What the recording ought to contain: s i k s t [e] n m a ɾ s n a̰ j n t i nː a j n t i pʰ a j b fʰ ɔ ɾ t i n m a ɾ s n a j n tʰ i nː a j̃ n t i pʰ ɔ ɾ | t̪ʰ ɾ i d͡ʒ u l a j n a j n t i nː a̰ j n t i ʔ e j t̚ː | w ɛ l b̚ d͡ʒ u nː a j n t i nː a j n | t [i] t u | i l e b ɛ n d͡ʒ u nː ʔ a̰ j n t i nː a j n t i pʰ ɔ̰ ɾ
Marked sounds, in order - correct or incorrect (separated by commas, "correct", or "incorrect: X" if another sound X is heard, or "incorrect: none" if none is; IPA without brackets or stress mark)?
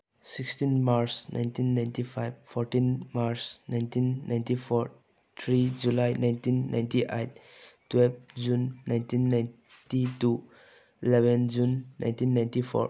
incorrect: i, correct